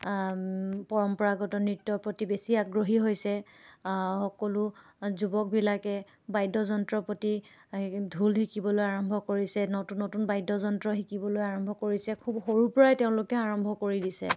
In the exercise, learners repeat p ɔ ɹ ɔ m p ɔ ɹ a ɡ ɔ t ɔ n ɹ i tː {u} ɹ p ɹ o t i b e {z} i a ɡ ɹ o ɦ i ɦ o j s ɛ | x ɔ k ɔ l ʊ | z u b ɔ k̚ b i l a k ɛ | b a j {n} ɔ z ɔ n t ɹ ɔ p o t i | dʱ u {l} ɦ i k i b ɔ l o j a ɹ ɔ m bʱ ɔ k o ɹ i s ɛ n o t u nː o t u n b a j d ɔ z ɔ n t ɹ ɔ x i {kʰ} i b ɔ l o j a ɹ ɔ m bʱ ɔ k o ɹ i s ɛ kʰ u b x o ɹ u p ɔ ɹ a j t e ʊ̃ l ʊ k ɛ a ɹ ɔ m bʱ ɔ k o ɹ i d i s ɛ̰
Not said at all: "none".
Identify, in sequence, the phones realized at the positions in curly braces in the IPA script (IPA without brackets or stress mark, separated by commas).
ɔ, s, d, l, k